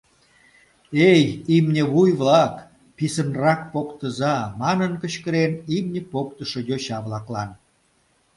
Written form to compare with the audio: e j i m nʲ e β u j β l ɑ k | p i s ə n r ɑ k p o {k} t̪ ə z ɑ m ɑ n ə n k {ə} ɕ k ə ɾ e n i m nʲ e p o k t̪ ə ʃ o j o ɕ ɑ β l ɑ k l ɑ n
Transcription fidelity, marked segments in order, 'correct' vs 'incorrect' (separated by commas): correct, correct